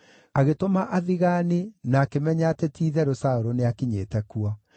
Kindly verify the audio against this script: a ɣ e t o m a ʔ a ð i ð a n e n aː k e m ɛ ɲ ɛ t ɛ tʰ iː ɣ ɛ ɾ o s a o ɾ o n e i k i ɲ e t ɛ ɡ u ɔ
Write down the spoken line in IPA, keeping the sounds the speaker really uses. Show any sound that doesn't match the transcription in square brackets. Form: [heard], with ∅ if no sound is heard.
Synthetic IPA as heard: a ɣ e t o m a ʔ a ð i [ɣ] a n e n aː k e m ɛ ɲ [a] t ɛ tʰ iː [ð] ɛ ɾ o s a o ɾ o n e [a] k i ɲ e t ɛ [k] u ɔ